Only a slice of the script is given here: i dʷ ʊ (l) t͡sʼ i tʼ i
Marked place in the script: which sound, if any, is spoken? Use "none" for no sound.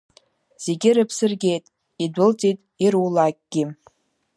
l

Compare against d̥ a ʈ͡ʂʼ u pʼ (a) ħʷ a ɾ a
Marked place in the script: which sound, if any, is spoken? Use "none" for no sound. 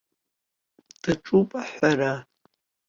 a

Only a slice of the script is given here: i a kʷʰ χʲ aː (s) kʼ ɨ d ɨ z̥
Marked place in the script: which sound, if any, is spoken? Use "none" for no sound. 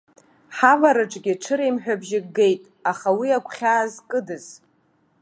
z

